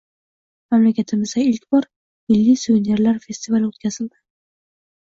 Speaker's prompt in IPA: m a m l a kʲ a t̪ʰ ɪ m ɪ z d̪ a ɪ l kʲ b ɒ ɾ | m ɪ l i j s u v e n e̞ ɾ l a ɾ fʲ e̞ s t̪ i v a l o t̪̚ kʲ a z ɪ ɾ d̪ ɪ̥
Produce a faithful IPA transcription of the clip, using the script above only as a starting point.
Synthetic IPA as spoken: m a m l a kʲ a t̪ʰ ɪ m ɪ z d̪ a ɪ l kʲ b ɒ ɾ | m ɪ lː i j s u v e n e̞ ɾ l a ɾ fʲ e̞ s t̪ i v a l o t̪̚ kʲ a z ɪ l d̪ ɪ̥